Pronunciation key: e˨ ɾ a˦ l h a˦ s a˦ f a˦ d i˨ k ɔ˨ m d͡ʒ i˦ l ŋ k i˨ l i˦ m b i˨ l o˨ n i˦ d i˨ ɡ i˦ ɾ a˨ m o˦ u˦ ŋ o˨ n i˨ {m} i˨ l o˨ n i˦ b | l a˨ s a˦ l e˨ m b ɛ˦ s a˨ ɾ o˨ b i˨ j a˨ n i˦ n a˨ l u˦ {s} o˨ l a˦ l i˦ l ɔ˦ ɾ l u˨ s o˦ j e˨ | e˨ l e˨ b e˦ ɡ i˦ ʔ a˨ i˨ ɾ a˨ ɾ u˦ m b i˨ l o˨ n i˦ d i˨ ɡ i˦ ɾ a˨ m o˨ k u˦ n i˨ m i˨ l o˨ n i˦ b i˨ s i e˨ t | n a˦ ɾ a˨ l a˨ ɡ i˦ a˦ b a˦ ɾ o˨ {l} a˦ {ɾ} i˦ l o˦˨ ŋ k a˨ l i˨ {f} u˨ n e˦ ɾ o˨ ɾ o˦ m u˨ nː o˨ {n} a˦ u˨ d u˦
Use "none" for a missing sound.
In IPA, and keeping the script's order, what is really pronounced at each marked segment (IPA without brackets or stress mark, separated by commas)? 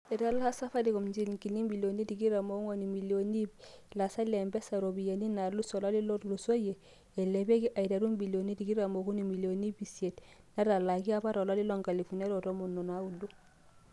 m, s, l, l, f, n